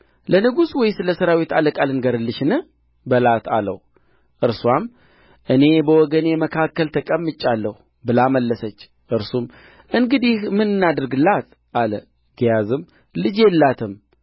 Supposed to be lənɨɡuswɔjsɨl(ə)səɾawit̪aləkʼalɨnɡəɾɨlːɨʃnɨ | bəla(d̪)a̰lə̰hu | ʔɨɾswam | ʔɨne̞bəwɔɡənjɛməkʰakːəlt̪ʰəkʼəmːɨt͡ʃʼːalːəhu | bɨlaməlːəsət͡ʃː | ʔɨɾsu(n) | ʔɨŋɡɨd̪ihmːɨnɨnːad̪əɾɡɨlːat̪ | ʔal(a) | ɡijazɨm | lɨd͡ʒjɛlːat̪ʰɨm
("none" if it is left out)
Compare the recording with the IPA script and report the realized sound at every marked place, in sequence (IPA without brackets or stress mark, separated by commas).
ə, t̪, m, ə